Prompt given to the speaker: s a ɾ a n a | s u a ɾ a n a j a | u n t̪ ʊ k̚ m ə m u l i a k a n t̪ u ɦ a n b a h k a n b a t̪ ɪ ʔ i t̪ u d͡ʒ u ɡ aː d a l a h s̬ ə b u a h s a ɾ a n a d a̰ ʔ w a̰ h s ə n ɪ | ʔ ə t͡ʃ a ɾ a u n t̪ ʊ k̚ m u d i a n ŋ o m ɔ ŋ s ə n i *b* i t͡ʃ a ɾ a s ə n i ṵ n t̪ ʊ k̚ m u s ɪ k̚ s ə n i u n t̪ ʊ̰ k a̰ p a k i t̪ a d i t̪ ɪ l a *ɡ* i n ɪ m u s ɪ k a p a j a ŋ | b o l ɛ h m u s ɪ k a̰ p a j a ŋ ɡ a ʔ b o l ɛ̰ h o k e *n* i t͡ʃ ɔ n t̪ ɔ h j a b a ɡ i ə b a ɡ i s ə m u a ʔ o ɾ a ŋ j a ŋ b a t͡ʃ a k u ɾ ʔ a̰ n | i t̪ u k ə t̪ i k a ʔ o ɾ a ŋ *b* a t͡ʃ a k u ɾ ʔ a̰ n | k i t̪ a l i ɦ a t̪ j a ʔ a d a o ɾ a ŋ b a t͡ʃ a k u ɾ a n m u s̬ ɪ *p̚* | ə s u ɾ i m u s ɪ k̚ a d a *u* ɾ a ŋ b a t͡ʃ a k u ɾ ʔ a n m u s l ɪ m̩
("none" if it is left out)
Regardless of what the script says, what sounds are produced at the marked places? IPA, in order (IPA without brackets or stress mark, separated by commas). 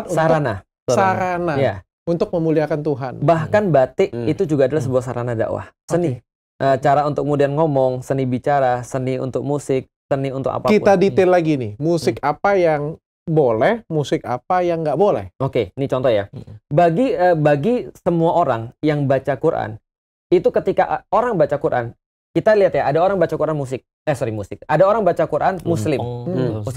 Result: b, ɡ, n, b, k̚, o